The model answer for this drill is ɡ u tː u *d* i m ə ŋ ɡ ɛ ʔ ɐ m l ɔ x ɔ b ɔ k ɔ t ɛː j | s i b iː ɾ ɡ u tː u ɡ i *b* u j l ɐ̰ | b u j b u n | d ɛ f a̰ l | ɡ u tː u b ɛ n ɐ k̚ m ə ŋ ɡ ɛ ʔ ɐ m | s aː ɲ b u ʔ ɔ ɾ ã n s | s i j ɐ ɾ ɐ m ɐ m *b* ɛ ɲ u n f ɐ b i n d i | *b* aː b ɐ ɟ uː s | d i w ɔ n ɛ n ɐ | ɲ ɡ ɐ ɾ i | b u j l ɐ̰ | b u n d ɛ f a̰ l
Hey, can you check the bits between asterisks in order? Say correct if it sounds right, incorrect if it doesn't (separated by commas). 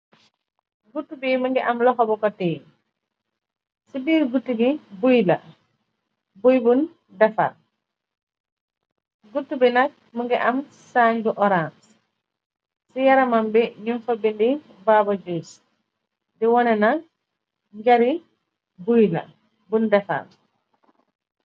incorrect, correct, correct, correct